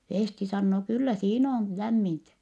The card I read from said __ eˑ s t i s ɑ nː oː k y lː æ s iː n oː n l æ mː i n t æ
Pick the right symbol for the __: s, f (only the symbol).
f